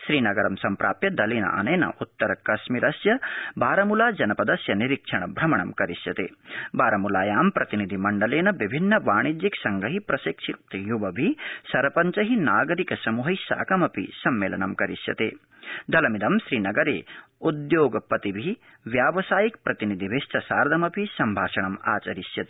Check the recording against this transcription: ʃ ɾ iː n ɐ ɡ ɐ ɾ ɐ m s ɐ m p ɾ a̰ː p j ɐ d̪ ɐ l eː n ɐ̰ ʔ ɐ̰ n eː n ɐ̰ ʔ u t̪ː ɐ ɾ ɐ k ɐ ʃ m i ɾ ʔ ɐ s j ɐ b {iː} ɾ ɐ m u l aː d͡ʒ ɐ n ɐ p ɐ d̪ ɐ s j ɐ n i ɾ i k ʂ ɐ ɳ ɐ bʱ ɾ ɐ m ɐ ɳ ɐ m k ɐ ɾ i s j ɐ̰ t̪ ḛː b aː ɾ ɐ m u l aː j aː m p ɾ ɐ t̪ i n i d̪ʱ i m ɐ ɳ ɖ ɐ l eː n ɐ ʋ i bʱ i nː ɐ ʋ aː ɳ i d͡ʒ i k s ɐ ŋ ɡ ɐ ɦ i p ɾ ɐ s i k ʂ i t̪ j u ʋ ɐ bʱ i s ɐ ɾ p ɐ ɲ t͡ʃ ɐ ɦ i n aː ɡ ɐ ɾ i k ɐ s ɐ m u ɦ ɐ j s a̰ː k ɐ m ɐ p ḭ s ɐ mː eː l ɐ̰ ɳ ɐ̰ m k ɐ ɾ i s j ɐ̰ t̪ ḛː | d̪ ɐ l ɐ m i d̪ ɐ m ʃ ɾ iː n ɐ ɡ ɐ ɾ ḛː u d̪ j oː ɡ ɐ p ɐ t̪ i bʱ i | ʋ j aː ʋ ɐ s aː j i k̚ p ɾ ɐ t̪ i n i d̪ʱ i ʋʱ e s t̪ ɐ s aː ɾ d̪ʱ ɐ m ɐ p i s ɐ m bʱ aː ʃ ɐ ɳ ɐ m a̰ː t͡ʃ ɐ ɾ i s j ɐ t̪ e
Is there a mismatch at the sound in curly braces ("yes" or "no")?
yes